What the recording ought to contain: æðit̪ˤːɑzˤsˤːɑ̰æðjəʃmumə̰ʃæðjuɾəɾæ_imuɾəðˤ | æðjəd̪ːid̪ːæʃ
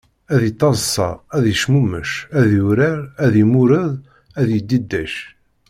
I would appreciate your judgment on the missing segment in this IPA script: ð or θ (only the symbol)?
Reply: ð